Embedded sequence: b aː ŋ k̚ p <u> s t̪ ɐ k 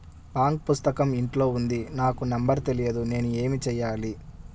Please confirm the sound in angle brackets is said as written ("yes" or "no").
yes